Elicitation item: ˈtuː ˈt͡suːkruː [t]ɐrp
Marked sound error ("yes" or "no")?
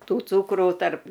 no